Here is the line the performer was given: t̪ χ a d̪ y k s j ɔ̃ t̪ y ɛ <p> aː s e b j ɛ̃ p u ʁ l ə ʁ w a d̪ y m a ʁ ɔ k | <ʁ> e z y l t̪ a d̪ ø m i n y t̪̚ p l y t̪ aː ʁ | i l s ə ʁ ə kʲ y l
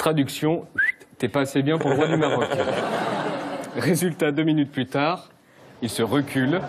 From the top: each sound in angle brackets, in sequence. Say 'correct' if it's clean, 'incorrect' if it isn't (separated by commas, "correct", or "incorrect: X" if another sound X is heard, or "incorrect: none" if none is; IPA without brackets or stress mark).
correct, correct